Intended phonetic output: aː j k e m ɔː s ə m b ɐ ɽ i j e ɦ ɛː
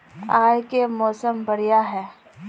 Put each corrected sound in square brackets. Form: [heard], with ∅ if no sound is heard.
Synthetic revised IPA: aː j k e m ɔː s ə m b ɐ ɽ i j [a] ɦ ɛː